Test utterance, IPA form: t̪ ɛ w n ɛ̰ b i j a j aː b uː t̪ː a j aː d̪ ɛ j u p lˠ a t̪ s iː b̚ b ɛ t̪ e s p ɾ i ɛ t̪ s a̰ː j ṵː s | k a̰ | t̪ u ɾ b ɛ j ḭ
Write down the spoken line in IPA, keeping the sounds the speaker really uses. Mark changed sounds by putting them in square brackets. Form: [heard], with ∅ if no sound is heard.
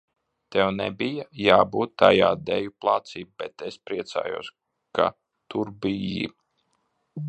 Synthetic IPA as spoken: t̪ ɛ w n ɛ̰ b i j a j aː b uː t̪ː a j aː d̪ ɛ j u p lˠ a t̪ s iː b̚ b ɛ t̪ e s p ɾ i ɛ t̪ s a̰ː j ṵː s | k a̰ | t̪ u ɾ b [i] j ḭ